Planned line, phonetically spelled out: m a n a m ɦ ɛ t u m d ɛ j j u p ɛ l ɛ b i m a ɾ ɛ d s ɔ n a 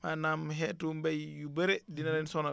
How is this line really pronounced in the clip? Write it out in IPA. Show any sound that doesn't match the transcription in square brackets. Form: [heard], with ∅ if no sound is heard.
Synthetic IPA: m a n a m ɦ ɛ t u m [b] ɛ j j u [b] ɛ [ɾ] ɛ [d] i [n] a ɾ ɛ [n] s ɔ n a